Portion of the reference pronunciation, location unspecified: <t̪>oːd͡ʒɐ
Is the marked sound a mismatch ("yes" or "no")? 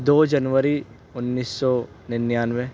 yes